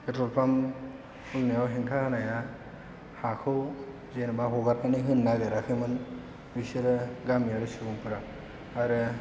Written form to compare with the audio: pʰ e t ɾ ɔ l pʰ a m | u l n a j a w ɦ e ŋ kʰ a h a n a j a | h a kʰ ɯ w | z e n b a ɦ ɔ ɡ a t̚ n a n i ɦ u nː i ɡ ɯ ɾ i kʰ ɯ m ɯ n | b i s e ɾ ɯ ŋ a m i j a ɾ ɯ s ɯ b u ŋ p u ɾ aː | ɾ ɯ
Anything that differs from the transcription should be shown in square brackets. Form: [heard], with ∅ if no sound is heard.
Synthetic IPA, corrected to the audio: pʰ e t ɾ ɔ l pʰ a m | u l n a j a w ɦ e ŋ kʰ a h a n a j a | h a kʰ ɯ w | z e n b a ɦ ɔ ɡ a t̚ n a n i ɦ [ɯ] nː [a] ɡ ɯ ɾ [a] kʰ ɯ m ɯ n | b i s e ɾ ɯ [ɡ] a m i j a ɾ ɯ s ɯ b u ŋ p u ɾ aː | ɾ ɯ